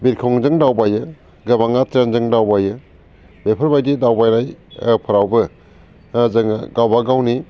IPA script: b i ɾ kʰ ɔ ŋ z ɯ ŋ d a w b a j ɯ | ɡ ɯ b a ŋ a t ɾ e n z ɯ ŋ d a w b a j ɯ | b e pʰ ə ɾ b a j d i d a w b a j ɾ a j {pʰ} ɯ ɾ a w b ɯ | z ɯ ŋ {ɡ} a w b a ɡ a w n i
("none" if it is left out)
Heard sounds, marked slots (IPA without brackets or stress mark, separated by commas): pʰ, ɡ